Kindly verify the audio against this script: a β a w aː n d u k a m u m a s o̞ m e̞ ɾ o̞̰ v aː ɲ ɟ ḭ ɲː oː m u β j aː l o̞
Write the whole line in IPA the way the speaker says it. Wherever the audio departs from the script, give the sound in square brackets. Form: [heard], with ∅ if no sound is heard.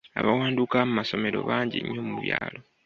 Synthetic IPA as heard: a β a w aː n d u k a m u m a s o̞ m e̞ ɾ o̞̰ [β] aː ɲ ɟ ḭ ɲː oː m u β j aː l o̞